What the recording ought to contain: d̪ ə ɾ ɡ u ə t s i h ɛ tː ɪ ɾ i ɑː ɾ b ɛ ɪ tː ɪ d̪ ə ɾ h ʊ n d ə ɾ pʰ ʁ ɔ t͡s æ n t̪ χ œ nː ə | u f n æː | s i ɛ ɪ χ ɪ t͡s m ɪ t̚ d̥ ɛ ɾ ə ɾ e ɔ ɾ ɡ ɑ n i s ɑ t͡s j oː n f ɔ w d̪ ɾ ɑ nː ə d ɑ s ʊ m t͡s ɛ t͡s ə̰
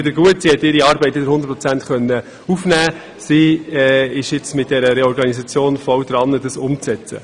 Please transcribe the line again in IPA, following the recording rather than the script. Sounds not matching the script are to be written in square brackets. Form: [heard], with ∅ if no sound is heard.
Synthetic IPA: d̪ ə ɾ ɡ u ə t s i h ɛ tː ɪ ɾ i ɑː ɾ b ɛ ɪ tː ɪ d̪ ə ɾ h ʊ n d ə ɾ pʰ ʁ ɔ t͡s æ n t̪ χ œ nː ə | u f n æː | s i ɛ ɪ [ʃ] ɪ t͡s m ɪ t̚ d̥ ɛ ɾ ə ɾ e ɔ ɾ ɡ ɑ n i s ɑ t͡s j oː n f ɔ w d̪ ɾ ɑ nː ə d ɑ s ʊ m t͡s ɛ t͡s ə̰